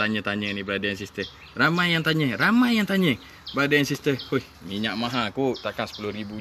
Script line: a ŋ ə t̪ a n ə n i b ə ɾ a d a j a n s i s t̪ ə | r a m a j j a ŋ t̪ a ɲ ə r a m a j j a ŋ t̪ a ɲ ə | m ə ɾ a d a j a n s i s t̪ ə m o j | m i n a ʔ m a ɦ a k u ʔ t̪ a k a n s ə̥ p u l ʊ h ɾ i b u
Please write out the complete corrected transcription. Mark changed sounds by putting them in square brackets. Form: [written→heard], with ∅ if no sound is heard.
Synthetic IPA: a [ŋ→ɲ] ə t̪ a [n→ɲ] ə n i b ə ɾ a d a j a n s i s t̪ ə | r a m a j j a ŋ t̪ a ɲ ə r a m a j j a ŋ t̪ a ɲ ə | [m→b] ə ɾ a d a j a n s i s t̪ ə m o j | m i [n→ɲ] a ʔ m a ɦ a k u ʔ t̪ a k a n s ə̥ p u l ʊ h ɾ i b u